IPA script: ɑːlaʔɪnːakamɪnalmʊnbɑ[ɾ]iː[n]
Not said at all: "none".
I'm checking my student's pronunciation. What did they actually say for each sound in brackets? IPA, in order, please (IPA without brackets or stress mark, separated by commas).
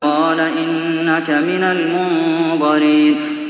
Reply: ɾ, n